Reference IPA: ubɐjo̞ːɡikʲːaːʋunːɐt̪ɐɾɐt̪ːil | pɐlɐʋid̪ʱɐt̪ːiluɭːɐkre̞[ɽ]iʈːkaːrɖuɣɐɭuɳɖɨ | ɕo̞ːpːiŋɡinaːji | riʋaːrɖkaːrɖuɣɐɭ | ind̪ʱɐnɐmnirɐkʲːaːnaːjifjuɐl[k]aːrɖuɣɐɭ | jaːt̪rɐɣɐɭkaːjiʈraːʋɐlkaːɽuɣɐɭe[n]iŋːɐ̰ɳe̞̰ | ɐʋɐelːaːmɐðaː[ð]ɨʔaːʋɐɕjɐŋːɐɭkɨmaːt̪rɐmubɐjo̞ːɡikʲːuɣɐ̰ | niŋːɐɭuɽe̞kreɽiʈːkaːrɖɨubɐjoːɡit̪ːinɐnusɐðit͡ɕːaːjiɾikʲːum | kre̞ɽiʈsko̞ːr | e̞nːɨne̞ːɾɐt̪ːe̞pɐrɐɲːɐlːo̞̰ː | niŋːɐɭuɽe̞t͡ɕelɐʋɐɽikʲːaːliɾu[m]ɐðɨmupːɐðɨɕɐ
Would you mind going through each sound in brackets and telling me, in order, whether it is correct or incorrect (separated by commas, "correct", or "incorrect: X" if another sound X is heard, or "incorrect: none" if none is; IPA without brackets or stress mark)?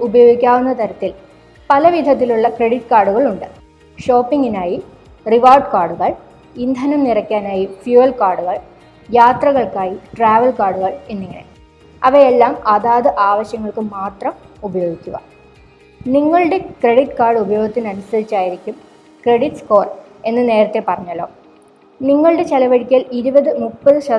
correct, correct, incorrect: nː, correct, incorrect: b